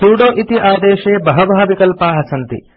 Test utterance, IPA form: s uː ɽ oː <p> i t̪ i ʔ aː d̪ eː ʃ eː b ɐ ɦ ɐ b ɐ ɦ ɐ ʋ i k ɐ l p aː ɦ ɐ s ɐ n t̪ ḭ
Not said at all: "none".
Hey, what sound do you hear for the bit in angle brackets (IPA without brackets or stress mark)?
ʔ